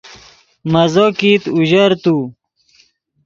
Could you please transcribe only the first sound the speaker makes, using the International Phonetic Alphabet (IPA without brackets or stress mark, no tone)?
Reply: m